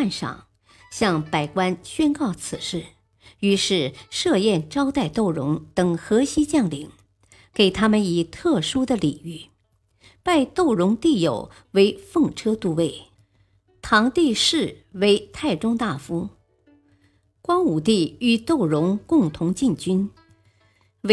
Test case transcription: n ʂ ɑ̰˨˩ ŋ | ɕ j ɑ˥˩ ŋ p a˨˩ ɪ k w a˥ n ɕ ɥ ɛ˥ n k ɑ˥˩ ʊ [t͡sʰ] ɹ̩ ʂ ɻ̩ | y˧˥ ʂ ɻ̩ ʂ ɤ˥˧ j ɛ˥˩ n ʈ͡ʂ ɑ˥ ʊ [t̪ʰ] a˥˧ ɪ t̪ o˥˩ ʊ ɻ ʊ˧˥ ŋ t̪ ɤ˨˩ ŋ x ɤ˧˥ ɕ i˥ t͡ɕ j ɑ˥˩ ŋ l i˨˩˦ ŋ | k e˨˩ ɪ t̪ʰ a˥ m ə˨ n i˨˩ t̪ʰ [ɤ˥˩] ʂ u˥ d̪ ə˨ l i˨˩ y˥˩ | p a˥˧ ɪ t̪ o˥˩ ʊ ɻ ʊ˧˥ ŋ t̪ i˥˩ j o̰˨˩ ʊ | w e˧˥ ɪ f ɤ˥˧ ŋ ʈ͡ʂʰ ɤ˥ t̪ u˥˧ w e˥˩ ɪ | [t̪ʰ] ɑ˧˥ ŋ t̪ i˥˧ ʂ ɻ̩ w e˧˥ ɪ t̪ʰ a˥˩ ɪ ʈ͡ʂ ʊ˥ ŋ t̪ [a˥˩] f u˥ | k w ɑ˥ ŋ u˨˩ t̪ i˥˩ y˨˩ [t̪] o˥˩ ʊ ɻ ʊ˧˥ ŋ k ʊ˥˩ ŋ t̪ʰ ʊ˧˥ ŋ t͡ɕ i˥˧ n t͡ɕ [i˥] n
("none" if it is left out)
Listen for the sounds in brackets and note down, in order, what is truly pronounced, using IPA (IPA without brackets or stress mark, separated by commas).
t͡sʰ, t̪, ɤ˥˩, t̪ʰ, a˥˩, t̪, y˥